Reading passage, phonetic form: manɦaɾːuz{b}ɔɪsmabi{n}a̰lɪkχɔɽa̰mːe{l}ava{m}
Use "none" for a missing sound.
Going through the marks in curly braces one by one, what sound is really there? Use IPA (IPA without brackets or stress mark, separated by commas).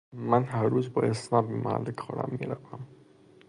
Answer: b, m, ɾ, m